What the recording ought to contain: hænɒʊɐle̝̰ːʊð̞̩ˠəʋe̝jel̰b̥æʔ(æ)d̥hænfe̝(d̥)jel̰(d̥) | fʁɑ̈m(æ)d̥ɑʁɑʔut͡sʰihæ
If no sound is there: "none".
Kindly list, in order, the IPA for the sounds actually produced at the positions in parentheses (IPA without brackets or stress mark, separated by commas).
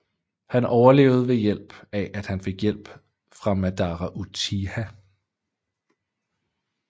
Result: æ, ɡ̥, b̥, æ